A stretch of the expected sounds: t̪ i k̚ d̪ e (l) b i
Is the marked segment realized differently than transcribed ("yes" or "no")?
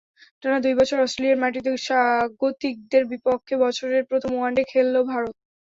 yes